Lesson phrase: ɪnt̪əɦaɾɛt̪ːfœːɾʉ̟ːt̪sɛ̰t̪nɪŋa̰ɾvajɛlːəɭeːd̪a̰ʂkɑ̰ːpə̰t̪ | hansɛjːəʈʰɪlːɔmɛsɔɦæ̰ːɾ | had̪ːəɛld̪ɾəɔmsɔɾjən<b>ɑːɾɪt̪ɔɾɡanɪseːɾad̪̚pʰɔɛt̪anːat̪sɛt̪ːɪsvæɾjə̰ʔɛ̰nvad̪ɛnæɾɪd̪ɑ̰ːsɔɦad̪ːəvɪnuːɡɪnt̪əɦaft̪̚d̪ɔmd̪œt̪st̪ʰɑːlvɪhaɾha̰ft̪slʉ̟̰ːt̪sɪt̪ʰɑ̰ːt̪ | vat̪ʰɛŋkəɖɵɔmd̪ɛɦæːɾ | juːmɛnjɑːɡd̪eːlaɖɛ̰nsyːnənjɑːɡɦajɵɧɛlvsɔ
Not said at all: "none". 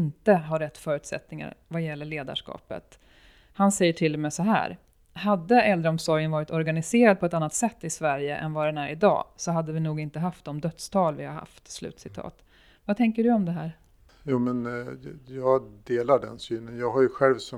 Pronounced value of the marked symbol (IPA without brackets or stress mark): v